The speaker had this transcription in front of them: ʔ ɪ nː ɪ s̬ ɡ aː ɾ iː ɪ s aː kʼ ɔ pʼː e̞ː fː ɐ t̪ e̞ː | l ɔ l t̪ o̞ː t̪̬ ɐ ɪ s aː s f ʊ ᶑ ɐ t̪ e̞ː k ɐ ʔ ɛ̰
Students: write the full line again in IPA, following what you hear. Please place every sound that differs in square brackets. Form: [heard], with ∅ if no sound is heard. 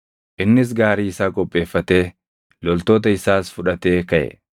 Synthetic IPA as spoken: ʔ ɪ nː ɪ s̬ ɡ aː ɾ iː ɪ s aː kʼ ɔ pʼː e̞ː fː ɐ t̪ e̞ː | l ɔ l t̪ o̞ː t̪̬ ɐ ɪ s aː s f ʊ ᶑ ɐ t̪ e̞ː k ɐ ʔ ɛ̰